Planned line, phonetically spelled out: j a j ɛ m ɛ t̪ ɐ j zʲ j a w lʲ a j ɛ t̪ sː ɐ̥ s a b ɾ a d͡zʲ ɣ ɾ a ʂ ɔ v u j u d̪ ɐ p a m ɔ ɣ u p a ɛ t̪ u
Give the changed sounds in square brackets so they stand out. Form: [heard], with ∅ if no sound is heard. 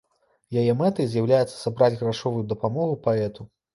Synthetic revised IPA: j a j ɛ m ɛ t̪ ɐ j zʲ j a w lʲ a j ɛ t̪ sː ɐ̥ s a b ɾ a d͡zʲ ɣ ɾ a ʂ ɔ v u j u d̪ ɐ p a m ɔ ɣ u p a ɛ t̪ u